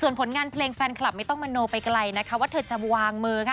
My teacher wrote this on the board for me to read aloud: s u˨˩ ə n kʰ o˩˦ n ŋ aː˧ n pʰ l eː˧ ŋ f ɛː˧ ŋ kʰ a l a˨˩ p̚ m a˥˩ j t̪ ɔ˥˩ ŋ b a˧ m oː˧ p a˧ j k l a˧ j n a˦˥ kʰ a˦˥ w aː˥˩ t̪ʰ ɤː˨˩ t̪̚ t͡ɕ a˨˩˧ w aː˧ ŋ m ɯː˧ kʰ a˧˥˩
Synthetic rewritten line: s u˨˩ ə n pʰ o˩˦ n ŋ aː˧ n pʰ l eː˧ ŋ f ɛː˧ n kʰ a l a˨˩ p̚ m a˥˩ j t̪ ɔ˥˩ ŋ m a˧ n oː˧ p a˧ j k l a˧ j n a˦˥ kʰ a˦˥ w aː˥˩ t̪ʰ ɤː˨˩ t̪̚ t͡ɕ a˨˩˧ w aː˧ ŋ m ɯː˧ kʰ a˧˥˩